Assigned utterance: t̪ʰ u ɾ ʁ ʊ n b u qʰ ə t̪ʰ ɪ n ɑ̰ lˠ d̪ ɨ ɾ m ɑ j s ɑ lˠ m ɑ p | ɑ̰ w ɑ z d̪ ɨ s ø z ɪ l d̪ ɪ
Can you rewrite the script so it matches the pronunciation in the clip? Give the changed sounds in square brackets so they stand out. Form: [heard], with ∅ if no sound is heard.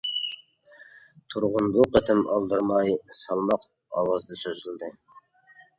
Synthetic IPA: t̪ʰ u ɾ ʁ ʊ n b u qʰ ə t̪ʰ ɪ [m] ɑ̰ lˠ d̪ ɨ ɾ m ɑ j s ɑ lˠ m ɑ [q] | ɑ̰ w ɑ z d̪ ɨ s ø z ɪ l d̪ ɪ